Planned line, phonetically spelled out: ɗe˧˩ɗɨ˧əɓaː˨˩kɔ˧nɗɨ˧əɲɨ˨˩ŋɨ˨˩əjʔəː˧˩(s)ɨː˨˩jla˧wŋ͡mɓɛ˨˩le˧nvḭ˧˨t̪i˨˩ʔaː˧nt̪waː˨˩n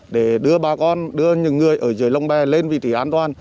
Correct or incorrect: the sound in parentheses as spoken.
incorrect: z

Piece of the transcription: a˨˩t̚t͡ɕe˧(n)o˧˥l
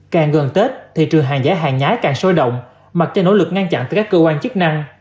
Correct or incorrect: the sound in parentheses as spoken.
correct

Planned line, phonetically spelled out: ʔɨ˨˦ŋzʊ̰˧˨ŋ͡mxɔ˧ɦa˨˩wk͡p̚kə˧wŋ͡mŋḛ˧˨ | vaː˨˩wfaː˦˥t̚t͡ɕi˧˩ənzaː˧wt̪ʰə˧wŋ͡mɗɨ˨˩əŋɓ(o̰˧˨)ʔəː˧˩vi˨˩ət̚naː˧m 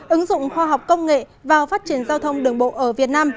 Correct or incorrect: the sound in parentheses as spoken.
correct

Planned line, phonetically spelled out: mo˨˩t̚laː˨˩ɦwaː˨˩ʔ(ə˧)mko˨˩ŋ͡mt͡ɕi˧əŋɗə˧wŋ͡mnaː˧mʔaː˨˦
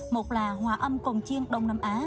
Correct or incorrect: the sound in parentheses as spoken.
correct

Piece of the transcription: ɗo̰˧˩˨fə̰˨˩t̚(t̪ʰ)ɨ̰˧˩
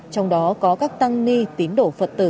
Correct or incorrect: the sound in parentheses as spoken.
incorrect: t̪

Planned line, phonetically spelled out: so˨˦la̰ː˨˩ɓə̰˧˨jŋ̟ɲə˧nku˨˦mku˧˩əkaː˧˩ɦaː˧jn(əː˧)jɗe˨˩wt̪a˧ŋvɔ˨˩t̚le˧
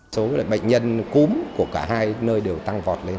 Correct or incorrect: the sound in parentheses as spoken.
correct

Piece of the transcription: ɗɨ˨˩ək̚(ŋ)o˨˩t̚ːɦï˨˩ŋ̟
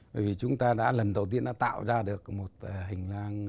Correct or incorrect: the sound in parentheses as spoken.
incorrect: m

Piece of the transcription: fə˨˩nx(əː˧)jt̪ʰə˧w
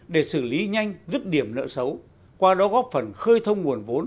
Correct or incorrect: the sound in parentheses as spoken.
correct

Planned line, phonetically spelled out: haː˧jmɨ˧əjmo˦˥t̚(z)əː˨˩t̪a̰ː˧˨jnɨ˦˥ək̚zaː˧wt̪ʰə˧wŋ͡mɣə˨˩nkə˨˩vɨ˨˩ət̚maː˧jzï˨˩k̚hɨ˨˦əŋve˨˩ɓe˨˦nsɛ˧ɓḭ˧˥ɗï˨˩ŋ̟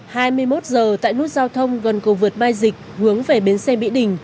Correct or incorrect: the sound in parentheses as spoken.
correct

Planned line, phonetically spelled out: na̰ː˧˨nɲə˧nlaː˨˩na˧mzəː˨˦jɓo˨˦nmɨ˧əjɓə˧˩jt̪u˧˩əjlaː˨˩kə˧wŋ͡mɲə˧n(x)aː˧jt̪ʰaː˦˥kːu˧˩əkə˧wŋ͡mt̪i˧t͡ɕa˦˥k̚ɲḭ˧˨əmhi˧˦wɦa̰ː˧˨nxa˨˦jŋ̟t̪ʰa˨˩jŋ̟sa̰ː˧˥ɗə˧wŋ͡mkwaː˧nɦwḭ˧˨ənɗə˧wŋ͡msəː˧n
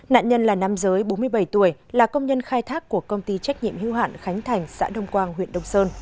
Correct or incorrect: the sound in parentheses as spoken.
correct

